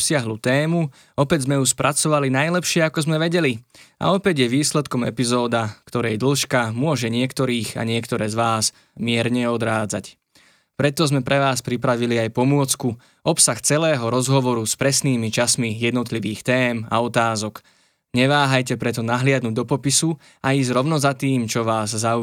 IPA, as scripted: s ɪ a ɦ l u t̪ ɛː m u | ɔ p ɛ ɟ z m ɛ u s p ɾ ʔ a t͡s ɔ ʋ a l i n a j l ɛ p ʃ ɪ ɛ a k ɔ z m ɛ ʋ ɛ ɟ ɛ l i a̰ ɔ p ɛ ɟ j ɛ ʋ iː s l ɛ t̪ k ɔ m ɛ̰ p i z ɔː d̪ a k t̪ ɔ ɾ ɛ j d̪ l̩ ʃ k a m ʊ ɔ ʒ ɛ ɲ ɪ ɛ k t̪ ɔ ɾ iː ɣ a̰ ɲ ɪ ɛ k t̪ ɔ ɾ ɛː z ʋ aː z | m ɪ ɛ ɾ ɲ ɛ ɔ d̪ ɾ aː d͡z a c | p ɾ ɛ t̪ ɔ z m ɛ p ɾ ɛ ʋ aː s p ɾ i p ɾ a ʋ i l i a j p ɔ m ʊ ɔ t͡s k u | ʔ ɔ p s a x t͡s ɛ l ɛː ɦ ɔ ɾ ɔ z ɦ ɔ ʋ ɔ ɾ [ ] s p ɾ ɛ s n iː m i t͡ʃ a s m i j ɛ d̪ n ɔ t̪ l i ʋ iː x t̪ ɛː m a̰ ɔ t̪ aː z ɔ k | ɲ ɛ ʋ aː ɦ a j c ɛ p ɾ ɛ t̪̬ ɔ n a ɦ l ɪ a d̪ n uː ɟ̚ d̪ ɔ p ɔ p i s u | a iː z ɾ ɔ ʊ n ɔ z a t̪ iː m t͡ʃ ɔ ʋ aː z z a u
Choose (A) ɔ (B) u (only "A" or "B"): B